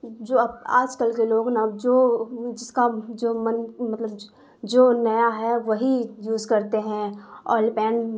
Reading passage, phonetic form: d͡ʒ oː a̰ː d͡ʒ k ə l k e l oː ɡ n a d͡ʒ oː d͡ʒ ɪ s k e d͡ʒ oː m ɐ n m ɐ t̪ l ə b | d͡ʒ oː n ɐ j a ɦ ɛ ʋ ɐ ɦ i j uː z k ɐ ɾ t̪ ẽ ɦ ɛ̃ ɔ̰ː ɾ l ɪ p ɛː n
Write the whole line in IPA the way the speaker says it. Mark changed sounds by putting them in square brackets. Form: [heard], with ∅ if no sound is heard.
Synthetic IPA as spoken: d͡ʒ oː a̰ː d͡ʒ k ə l k e l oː ɡ n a d͡ʒ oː d͡ʒ ɪ s k [a] d͡ʒ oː m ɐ n m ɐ t̪ l ə b | d͡ʒ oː n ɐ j a ɦ ɛ ʋ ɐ ɦ i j uː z k ɐ ɾ t̪ [e] ɦ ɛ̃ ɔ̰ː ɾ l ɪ p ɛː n

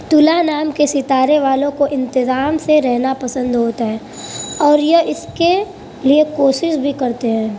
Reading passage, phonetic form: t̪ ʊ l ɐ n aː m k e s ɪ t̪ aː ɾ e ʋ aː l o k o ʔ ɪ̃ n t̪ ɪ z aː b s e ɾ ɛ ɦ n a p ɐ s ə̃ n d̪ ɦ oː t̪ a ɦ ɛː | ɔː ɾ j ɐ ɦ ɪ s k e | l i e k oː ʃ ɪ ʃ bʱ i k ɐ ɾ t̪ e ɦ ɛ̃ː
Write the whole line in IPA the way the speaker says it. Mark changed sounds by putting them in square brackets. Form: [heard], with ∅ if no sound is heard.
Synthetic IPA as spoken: t̪ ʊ l [a] n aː m k e s ɪ t̪ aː ɾ e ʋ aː l [õ] k o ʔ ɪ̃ n t̪ ɪ z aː [m] s e ɾ ɛ ɦ n a p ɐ s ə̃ n d̪ ɦ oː t̪ a ɦ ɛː | ɔː ɾ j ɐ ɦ ɪ s k e | l i e k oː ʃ ɪ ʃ bʱ i k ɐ ɾ t̪ e ɦ ɛ̃ː

